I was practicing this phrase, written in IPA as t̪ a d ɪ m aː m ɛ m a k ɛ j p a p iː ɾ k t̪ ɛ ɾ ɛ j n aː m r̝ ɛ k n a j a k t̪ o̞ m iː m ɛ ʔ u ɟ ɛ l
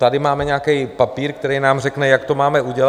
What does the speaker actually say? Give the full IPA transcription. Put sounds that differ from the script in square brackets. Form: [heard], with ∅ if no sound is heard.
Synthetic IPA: t̪ a d ɪ m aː m ɛ [ɲ] a k ɛ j p a p iː ɾ k t̪ ɛ ɾ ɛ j n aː m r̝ ɛ k n [ɛ] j a k t̪ o̞ m [aː] m ɛ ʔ u ɟ ɛ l